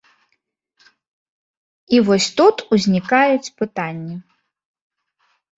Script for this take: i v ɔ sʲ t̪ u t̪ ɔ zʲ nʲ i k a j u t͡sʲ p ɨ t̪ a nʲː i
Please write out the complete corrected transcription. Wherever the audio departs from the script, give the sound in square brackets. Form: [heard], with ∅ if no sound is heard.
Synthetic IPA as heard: i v ɔ sʲ t̪ u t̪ [u] zʲ nʲ i k a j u t͡sʲ p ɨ t̪ a nʲː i